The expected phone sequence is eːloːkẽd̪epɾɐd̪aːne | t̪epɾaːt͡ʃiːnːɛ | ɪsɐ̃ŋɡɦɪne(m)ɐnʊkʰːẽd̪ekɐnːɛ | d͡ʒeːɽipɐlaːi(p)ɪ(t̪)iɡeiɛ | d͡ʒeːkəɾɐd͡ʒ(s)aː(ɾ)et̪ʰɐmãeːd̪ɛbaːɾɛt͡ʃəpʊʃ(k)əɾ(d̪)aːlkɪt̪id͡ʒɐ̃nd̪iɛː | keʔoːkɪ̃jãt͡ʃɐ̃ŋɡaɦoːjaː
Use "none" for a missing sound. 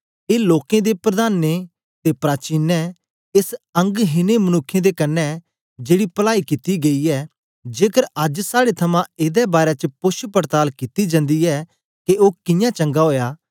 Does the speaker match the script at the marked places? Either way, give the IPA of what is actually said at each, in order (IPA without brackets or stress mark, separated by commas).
m, k, t̪, s, ɽ, p, t̪